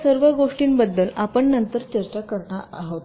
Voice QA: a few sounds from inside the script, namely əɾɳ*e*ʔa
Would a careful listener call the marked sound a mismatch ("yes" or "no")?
yes